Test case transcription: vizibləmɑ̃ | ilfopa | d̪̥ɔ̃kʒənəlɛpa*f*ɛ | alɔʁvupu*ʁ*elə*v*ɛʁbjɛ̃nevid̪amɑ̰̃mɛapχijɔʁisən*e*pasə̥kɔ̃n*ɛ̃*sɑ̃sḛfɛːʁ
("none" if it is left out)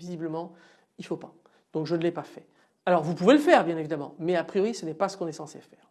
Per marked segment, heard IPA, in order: f, v, f, ɛ, ɛ

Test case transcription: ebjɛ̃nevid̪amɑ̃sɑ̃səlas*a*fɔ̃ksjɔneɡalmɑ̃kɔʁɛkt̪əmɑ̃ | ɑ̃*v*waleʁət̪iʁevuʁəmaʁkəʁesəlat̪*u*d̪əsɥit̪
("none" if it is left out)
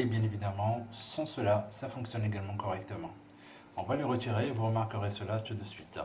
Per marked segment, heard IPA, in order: a, v, u

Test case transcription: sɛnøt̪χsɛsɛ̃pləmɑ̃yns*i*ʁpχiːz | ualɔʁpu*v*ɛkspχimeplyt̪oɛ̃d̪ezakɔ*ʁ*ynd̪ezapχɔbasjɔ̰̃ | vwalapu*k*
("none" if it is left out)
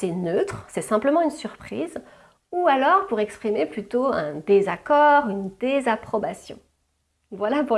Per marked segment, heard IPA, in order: y, ʁ, ʁ, none

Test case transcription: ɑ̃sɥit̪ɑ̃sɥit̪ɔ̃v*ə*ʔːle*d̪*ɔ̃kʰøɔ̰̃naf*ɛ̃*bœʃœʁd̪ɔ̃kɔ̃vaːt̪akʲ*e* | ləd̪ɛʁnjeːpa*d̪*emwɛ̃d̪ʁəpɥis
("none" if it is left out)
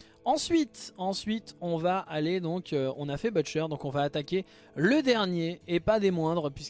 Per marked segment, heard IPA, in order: a, d̪, ɛ, e, d̪

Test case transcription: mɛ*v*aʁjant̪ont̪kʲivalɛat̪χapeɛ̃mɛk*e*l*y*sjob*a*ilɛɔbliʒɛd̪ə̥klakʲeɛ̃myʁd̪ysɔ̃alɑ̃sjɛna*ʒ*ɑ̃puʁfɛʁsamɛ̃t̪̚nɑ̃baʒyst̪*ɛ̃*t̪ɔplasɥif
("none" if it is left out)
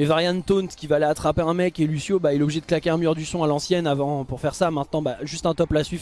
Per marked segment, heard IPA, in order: v, e, y, a, v, ɛ̃

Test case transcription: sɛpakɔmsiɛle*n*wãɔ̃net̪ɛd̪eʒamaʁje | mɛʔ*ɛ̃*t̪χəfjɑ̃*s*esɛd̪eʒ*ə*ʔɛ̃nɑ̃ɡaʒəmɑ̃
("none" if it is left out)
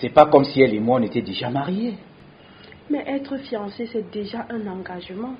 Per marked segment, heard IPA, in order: m, ɛ, s, a

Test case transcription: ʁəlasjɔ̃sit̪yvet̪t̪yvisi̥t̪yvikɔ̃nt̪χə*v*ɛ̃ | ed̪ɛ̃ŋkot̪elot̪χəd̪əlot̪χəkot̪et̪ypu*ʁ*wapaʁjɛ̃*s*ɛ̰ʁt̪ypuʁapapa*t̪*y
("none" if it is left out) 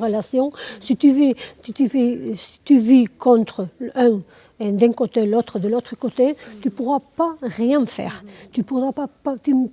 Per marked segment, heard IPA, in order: none, ʁ, f, t̪

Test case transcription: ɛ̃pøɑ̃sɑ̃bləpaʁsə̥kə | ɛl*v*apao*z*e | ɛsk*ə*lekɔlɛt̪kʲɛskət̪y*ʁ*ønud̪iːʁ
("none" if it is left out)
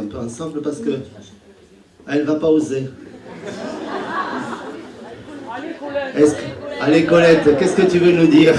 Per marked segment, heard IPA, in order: v, z, a, v

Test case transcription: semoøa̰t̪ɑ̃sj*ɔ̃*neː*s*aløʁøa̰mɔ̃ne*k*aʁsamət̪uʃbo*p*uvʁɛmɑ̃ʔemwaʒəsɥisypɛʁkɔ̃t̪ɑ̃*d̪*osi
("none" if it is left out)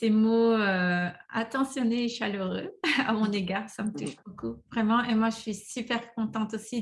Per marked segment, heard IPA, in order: ɔ, ʃ, ɡ, k, t̪

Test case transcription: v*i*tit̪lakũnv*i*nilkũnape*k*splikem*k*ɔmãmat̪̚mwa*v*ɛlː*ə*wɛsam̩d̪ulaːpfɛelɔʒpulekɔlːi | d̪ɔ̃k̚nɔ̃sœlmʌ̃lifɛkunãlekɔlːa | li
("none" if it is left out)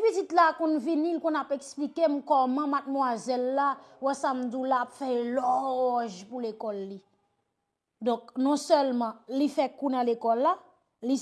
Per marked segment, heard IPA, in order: i, i, k, k, z, a

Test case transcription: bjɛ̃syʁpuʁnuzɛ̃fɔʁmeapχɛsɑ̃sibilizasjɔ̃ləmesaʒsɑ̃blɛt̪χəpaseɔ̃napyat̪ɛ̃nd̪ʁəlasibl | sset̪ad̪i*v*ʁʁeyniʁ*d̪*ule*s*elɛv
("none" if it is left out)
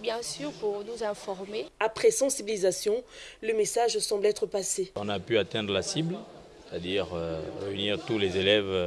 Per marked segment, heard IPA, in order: none, t̪, z

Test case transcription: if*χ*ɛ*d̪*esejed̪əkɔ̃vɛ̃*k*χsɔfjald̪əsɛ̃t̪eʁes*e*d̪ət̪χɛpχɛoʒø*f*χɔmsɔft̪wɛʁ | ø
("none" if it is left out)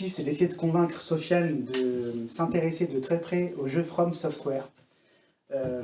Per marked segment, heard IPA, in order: s, d̪, k, e, f

